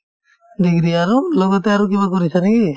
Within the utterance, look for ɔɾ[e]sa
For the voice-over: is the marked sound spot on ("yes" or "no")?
no